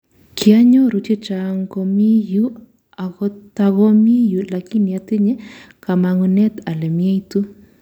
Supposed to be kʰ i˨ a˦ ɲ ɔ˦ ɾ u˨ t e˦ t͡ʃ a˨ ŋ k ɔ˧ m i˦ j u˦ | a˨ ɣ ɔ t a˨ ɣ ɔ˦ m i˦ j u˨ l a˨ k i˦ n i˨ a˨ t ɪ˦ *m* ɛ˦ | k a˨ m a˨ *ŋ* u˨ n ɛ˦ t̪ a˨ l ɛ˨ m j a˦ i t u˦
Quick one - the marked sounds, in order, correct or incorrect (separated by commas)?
incorrect, correct